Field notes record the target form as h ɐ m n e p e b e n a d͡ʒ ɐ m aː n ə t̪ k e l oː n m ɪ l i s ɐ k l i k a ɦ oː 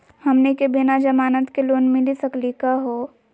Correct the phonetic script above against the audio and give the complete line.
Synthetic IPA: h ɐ m n e k e b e n a d͡ʒ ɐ m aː n ə t̪ k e l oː n m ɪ l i s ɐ k l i k a ɦ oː